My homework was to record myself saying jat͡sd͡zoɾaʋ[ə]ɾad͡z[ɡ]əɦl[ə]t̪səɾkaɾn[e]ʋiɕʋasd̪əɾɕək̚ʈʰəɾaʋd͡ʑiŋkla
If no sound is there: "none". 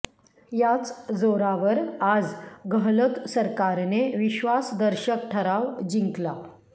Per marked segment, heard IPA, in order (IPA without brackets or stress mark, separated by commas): ə, ɡ, ə, e